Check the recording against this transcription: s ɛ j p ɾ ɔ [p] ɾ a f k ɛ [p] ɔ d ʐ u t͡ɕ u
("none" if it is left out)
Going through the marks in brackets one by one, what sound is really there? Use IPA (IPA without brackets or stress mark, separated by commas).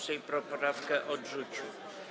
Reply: p, ʔ